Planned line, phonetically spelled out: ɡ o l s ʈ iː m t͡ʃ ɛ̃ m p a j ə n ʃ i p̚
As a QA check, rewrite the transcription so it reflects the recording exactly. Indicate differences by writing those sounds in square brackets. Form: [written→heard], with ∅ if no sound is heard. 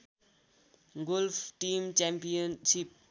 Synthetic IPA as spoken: ɡ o l [s→f] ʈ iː m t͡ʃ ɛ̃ m p [a→i] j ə n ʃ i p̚